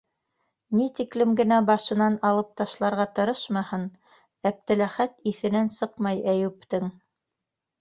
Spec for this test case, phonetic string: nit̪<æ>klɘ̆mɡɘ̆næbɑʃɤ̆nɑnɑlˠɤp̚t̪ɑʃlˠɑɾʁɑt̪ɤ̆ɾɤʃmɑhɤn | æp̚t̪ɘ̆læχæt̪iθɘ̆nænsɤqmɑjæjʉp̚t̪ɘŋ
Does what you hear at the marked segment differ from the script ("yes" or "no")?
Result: yes